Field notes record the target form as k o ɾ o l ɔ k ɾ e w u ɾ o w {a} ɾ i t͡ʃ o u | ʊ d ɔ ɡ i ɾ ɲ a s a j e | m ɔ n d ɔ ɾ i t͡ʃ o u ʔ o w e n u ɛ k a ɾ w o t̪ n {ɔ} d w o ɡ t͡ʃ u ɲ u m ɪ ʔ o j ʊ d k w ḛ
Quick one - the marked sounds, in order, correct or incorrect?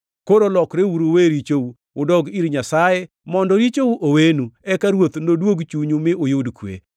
incorrect: e, incorrect: o

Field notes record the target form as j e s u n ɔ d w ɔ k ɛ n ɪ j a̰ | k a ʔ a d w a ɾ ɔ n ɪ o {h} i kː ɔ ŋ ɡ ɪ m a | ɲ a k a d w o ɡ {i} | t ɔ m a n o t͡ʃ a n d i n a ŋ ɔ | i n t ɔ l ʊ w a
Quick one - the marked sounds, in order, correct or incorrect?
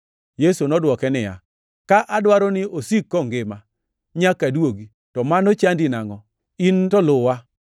incorrect: s, correct

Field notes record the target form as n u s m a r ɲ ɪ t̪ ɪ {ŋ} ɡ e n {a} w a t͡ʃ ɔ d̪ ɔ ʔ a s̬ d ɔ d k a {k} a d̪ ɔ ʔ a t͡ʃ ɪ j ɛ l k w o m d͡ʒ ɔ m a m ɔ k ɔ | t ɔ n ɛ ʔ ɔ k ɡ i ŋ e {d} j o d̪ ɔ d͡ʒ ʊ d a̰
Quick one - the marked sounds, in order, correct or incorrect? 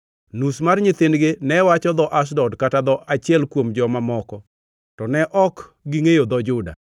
incorrect: n, incorrect: ɛ, incorrect: t, incorrect: none

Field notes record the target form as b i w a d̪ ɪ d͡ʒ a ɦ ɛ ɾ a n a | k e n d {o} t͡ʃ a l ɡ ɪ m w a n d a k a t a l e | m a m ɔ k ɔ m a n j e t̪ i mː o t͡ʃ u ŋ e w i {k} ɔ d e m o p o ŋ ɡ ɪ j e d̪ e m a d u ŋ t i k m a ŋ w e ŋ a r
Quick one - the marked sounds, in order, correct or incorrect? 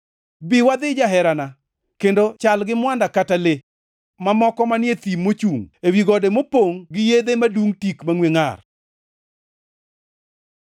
correct, incorrect: ɡ

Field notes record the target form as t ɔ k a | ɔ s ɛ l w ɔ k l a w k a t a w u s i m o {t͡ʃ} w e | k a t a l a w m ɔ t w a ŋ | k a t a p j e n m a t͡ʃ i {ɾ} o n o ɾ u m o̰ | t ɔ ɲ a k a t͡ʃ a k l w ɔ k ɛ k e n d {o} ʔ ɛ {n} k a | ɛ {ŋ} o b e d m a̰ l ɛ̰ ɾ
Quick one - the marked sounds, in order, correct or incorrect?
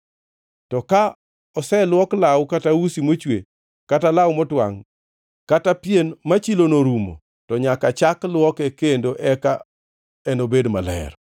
correct, incorrect: l, correct, incorrect: none, incorrect: n

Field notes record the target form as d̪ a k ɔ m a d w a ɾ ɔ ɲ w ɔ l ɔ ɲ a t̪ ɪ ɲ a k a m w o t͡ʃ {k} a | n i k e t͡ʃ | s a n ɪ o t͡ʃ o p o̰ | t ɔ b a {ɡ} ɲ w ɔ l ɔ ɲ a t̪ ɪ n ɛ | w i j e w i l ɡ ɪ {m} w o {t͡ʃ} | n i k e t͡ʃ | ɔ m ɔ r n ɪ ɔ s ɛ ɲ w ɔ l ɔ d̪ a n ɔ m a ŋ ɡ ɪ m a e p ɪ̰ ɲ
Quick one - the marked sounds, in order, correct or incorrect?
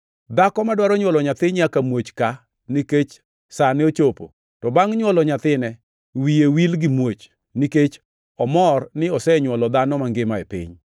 correct, incorrect: ŋ, correct, correct

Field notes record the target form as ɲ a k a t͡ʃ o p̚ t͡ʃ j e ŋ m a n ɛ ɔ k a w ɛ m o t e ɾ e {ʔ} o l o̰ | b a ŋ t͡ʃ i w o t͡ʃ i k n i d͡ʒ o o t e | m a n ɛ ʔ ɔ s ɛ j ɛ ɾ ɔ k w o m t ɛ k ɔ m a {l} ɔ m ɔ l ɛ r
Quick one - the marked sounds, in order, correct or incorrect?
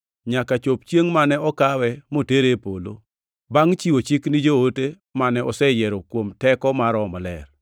incorrect: p, incorrect: ɾ

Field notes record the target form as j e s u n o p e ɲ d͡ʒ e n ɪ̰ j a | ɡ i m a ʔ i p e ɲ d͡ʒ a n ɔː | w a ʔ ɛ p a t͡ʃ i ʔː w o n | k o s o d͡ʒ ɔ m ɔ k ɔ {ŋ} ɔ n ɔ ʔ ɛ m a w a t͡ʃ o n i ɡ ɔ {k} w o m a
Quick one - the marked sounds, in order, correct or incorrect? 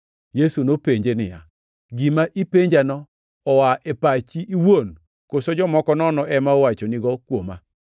incorrect: n, correct

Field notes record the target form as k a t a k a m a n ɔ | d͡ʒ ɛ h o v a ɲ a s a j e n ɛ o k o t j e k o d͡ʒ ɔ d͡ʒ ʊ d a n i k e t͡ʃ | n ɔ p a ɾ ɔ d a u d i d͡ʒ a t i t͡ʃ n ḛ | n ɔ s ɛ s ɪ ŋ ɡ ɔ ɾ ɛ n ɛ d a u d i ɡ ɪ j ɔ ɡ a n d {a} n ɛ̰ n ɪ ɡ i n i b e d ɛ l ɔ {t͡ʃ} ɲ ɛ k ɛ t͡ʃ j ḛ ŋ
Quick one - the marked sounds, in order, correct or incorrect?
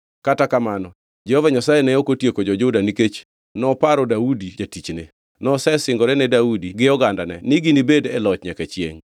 correct, correct

